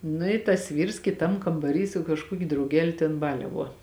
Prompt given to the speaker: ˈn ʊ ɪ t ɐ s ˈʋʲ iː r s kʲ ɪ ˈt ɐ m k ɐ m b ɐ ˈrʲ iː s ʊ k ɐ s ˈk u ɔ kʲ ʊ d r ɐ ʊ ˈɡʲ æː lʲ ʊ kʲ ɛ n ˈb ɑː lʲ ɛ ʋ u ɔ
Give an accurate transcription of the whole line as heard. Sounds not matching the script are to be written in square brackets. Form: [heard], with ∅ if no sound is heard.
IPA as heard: ˈn ʊ ɪ t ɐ s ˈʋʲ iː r s kʲ ɪ ˈt ɐ m k ɐ m b ɐ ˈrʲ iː s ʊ k ɐ [ʃ] ˈk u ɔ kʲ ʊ d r ɐ ʊ ˈɡʲ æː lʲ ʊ [tʲ] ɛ n ˈb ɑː lʲ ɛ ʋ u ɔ